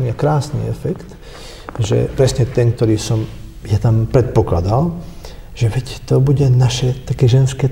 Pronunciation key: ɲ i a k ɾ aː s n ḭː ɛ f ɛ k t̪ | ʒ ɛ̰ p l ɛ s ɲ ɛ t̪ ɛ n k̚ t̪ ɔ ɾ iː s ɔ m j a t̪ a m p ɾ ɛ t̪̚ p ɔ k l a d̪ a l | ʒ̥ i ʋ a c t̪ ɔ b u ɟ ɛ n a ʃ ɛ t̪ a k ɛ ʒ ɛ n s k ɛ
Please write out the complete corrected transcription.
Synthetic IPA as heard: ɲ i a k ɾ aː s n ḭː ɛ f ɛ k t̪ | ʒ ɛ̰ p ɾ ɛ s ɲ ɛ t̪ ɛ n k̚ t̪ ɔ ɾ iː s ɔ m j a t̪ a m p ɾ ɛ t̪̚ p ɔ k l a d̪ a l | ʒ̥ ɛ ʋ ɛ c t̪ ɔ b u ɟ ɛ n a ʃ ɛ t̪ a k ɛ ʒ ɛ n s k ɛ